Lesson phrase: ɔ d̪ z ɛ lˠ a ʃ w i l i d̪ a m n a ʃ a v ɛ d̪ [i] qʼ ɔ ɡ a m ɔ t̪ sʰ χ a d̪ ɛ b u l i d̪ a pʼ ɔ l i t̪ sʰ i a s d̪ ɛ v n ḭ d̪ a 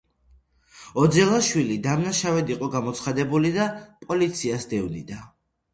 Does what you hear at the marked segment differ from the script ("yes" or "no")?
no